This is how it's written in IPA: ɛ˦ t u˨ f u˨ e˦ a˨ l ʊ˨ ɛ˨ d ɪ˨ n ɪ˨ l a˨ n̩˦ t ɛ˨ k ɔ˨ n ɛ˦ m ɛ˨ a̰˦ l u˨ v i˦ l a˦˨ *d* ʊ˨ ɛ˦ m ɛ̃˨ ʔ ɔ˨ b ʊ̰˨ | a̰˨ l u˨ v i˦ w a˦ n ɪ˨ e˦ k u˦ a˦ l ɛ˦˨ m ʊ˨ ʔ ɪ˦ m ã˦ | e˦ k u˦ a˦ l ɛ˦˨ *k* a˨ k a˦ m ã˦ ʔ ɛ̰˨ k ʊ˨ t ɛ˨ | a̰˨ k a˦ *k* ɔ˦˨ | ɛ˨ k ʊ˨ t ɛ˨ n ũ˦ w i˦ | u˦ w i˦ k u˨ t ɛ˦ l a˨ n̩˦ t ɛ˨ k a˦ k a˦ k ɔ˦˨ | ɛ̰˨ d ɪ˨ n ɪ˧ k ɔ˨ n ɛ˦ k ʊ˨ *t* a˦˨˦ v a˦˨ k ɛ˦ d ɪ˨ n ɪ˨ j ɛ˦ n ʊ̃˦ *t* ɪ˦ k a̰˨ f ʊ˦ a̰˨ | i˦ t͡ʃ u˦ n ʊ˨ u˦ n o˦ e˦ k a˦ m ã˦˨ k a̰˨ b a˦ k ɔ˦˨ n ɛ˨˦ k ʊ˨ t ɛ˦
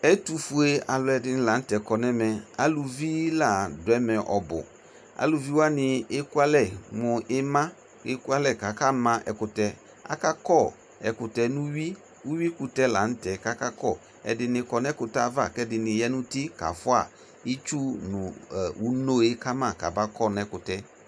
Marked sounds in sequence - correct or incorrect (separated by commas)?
correct, correct, correct, correct, correct